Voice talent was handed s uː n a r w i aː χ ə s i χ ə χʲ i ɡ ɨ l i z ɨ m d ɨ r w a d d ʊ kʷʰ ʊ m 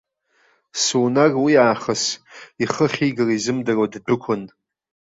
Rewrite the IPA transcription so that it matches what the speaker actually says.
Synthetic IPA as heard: s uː n a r w i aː χ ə s i χ ə χʲ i ɡ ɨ r i z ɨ m d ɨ r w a d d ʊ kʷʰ ʊ n